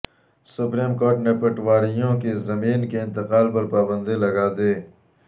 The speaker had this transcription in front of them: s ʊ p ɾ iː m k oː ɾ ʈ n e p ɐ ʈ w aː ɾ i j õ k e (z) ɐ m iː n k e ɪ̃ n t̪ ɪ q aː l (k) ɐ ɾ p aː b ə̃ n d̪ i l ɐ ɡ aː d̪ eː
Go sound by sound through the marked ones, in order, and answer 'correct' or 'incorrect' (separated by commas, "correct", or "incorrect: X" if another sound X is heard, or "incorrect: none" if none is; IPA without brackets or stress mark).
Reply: correct, incorrect: p